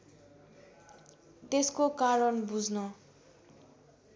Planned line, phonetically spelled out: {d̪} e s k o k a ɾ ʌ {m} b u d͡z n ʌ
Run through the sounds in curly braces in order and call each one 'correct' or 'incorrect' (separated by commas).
incorrect, incorrect